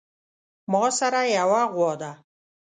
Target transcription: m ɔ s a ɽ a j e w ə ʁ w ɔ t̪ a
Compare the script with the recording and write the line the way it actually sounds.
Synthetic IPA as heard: m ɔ s a ɾ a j a w a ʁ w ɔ d̪ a